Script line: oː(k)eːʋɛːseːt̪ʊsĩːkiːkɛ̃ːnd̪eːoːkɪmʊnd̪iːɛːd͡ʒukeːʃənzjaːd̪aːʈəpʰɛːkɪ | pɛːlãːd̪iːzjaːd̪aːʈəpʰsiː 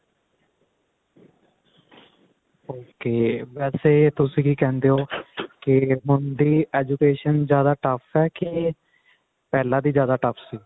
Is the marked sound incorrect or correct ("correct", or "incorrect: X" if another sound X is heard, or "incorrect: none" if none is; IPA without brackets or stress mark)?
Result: correct